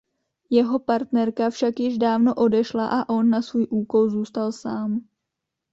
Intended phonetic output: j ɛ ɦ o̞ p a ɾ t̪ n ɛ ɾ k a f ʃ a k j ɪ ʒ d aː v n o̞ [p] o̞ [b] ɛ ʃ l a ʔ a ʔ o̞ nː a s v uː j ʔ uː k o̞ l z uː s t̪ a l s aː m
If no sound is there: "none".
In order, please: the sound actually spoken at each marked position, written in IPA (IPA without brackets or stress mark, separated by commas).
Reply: ʔ, d